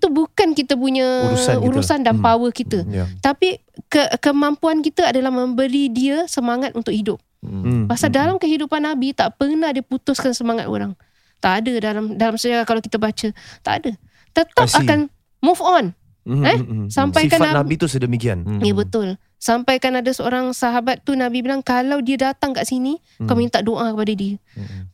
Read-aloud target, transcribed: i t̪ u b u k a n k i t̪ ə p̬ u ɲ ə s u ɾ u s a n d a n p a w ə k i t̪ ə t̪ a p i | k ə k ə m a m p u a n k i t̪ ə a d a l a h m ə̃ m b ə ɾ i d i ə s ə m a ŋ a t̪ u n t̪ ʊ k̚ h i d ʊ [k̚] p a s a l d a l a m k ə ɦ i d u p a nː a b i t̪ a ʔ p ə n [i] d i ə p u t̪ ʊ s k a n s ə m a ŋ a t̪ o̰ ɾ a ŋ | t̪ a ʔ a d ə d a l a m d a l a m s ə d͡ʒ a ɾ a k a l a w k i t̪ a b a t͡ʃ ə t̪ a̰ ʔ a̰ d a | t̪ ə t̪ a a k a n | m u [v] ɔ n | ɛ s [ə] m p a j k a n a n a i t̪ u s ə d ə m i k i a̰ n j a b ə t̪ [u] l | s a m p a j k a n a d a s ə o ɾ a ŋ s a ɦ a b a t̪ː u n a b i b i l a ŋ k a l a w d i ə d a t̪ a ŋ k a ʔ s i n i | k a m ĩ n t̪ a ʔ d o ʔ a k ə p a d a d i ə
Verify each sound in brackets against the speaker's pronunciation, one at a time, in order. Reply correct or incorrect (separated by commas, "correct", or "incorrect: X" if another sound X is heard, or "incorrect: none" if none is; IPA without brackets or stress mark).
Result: incorrect: p̚, incorrect: a, incorrect: f, incorrect: a, incorrect: ʊ